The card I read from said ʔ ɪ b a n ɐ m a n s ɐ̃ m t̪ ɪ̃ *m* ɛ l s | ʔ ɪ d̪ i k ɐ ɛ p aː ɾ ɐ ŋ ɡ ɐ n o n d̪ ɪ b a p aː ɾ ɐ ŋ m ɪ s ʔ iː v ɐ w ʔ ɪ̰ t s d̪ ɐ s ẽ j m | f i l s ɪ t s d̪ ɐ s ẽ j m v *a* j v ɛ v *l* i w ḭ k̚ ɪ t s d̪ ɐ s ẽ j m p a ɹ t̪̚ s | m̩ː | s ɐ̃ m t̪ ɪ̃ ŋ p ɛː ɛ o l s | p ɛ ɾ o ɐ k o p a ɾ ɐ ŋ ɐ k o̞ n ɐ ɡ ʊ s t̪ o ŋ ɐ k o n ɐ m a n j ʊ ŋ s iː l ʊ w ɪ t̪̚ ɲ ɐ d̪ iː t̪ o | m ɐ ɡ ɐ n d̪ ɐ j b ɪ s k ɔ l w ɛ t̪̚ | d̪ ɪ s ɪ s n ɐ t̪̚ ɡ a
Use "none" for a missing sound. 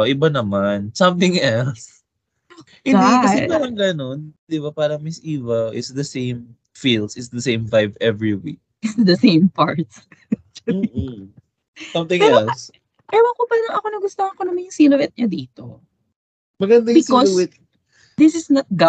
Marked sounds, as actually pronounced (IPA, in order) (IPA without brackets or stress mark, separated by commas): ŋ, a, ɹ